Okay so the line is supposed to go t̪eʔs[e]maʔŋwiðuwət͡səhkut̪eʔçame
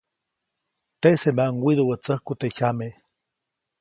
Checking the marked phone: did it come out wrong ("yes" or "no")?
no